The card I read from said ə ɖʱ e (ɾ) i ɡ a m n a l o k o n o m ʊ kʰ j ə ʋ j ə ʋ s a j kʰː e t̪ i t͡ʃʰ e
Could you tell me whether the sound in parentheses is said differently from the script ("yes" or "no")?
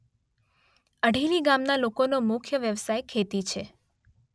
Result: yes